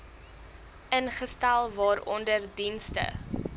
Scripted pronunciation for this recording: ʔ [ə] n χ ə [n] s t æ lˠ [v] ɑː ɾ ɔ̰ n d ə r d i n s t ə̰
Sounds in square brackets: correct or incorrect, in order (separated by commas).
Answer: correct, incorrect, correct